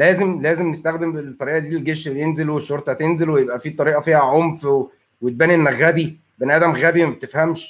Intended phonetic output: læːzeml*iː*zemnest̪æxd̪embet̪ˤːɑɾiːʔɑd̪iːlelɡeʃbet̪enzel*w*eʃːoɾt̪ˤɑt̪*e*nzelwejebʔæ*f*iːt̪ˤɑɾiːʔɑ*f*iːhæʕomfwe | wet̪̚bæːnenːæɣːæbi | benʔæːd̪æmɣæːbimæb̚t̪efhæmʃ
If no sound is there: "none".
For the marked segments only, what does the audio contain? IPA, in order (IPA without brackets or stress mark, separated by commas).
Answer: æː, w, e, f, f